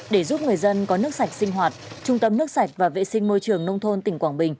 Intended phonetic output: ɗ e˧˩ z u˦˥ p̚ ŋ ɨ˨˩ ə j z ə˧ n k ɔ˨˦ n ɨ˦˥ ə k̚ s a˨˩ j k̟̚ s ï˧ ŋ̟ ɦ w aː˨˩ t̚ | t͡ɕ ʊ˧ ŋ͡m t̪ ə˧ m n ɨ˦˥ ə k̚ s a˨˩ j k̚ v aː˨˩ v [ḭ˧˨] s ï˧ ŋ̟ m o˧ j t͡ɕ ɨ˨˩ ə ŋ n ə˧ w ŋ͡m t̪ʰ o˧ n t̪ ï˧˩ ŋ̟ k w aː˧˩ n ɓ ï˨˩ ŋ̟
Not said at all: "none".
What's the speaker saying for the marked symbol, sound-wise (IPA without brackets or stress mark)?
ḛ˧˨